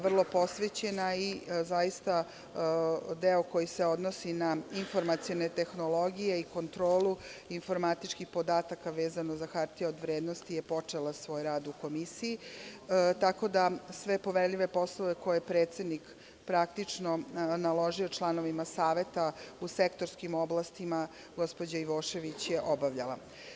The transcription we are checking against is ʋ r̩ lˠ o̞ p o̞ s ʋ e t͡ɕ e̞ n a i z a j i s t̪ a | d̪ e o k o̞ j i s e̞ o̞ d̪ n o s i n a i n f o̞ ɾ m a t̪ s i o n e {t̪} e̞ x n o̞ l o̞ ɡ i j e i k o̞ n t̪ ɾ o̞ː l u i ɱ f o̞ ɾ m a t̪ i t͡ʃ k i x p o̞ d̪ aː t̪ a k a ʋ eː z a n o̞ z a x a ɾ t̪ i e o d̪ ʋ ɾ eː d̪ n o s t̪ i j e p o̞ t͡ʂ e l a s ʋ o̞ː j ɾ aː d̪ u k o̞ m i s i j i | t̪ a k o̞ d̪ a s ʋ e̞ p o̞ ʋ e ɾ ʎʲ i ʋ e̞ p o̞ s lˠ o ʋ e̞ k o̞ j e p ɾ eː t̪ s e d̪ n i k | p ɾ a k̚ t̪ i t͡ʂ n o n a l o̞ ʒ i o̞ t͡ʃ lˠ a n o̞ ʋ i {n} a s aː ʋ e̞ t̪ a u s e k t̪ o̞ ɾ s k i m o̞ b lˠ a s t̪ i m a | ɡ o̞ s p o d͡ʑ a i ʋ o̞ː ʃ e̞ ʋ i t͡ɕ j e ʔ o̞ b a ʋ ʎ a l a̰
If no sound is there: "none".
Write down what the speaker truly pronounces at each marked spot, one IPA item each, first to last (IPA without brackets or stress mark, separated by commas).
t̪, m